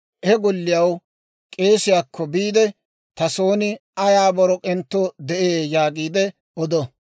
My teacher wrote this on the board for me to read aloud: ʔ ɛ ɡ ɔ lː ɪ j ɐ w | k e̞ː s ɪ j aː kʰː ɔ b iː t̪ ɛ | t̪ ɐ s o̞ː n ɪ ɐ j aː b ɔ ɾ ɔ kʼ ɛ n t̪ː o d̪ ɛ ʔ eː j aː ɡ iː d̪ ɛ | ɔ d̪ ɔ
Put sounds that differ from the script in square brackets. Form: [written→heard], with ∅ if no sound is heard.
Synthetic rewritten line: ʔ ɛ ɡ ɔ lː ɪ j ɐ w | [k→kʼ] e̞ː s ɪ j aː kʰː ɔ b iː [t̪→d̪] ɛ | t̪ ɐ s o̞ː n ɪ ɐ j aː b ɔ ɾ ɔ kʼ ɛ n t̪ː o d̪ ɛ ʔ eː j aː ɡ iː d̪ ɛ | ɔ d̪ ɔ

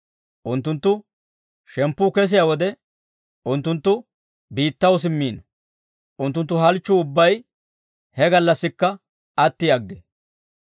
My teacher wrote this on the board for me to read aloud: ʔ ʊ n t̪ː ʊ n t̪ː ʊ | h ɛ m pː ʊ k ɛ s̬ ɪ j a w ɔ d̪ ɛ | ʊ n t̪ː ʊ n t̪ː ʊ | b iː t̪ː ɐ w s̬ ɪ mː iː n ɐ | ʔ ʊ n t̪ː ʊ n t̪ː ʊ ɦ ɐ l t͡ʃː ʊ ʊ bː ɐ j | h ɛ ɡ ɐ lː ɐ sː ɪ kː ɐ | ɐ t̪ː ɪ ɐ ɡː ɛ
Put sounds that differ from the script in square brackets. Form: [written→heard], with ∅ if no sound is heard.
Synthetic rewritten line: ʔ ʊ n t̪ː ʊ n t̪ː ʊ | [h→ʃ] ɛ m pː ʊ k ɛ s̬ ɪ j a w ɔ d̪ ɛ | ʊ n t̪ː ʊ n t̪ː ʊ | b iː t̪ː ɐ w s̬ ɪ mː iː n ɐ | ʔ ʊ n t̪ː ʊ n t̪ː ʊ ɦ ɐ l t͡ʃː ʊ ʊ bː ɐ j | h ɛ ɡ ɐ lː ɐ sː ɪ kː ɐ | ɐ t̪ː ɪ ɐ ɡː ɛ

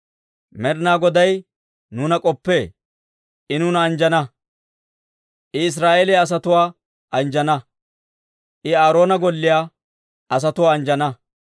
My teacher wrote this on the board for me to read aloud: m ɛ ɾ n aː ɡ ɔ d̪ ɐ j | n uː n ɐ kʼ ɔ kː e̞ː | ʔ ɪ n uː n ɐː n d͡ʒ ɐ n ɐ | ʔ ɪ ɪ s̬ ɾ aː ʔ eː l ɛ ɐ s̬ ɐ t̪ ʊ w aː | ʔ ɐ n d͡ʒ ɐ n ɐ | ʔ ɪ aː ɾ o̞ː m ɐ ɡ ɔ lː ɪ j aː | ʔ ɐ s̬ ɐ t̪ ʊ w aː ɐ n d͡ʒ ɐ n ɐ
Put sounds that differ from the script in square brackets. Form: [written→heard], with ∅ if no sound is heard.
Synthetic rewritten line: m ɛ ɾ n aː ɡ ɔ d̪ ɐ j | n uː n ɐ kʼ ɔ [kː→pː] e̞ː | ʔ ɪ n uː n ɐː n d͡ʒ ɐ n ɐ | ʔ ɪ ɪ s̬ ɾ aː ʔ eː l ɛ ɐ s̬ ɐ t̪ ʊ w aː | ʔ ɐ n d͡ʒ ɐ n ɐ | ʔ ɪ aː ɾ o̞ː [m→n] ɐ ɡ ɔ lː ɪ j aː | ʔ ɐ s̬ ɐ t̪ ʊ w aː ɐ n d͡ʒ ɐ n ɐ

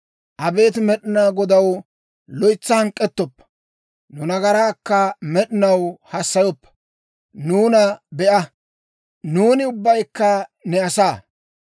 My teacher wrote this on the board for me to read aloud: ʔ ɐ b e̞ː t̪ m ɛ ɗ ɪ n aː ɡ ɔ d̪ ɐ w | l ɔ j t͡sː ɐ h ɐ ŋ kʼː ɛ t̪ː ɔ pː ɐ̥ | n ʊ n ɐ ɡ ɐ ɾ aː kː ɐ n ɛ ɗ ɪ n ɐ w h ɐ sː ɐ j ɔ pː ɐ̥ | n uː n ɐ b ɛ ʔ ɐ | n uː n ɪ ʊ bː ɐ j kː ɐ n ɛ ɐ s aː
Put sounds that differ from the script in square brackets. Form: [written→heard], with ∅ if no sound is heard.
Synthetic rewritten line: ʔ ɐ b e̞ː t̪ m ɛ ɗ ɪ n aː ɡ ɔ d̪ ɐ w | l ɔ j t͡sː ɐ h ɐ ŋ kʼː ɛ t̪ː ɔ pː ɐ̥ | n ʊ n ɐ ɡ ɐ ɾ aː kː ɐ [n→m] ɛ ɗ ɪ n ɐ w h ɐ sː ɐ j ɔ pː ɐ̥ | n uː n ɐ b ɛ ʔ ɐ | n uː n ɪ ʊ bː ɐ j kː ɐ n ɛ ɐ s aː

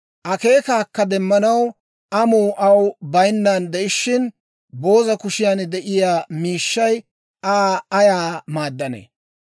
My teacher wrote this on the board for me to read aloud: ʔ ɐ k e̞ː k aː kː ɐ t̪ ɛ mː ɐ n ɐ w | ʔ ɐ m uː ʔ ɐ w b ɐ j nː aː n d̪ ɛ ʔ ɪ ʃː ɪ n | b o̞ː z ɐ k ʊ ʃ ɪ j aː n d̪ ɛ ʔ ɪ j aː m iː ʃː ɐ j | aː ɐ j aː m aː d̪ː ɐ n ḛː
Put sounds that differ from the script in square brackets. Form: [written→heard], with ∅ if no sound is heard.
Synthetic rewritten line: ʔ ɐ k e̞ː k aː kː ɐ [t̪→d̪] ɛ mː ɐ n ɐ w | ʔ ɐ m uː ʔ ɐ w b ɐ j nː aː n d̪ ɛ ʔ ɪ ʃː ɪ n | b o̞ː z ɐ k ʊ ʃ ɪ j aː n d̪ ɛ ʔ ɪ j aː m iː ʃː ɐ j | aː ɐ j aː m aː d̪ː ɐ n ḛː

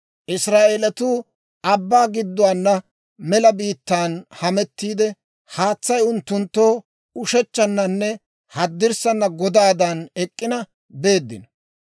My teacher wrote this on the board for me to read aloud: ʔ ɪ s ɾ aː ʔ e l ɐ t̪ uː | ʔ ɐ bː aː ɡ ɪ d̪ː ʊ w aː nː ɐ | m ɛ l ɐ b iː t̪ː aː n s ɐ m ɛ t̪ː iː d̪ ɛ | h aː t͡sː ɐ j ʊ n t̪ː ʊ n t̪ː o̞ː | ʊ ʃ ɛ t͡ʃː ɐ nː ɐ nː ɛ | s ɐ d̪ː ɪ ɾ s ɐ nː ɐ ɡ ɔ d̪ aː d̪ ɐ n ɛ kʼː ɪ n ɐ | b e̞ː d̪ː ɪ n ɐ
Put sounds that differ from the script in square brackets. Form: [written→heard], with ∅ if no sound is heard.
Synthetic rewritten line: ʔ ɪ s ɾ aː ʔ e l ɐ t̪ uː | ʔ ɐ bː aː ɡ ɪ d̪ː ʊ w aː nː ɐ | m ɛ l ɐ b iː t̪ː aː n [s→h] ɐ m ɛ t̪ː iː d̪ ɛ | h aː t͡sː ɐ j ʊ n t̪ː ʊ n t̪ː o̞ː | ʊ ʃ ɛ t͡ʃː ɐ nː ɐ nː ɛ | [s→h] ɐ d̪ː ɪ ɾ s ɐ nː ɐ ɡ ɔ d̪ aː d̪ ɐ n ɛ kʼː ɪ n ɐ | b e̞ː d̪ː ɪ n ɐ

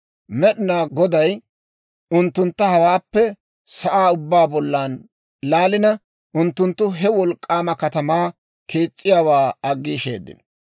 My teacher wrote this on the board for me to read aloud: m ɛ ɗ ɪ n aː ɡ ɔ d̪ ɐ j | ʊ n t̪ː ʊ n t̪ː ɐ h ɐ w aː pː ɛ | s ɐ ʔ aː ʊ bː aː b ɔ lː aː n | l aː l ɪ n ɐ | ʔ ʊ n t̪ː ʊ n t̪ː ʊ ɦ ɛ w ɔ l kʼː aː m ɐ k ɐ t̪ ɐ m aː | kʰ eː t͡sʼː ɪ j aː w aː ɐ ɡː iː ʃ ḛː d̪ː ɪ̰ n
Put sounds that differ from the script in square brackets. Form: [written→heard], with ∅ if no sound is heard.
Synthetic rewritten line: m ɛ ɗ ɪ n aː ɡ ɔ d̪ ɐ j | ʊ n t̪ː ʊ n t̪ː ɐ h ɐ w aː pː ɛ | s ɐ ʔ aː ʊ bː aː b ɔ lː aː n | l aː l ɪ n ɐ | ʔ ʊ n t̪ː ʊ n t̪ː ʊ ɦ ɛ w ɔ l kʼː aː m ɐ k ɐ t̪ ɐ m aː | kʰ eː t͡sʼː ɪ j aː w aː ɐ ɡː iː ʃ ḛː d̪ː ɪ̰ n

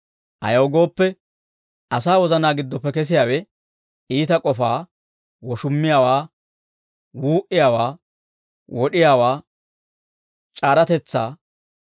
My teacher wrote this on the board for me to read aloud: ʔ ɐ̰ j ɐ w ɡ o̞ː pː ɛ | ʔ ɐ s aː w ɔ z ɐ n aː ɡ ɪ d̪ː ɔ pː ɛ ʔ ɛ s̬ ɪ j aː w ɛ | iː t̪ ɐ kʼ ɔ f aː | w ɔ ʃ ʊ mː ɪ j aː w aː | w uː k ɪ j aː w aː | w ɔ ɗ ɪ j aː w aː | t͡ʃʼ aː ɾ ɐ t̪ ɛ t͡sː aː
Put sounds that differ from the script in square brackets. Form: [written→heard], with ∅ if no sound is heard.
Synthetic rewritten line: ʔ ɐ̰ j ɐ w ɡ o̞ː pː ɛ | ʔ ɐ s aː w ɔ z ɐ n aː ɡ ɪ d̪ː ɔ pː ɛ [ʔ→k] ɛ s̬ ɪ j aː w ɛ | iː t̪ ɐ kʼ ɔ f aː | w ɔ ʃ ʊ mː ɪ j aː w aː | w uː [k→ʔ] ɪ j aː w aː | w ɔ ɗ ɪ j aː w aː | t͡ʃʼ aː ɾ ɐ t̪ ɛ t͡sː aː

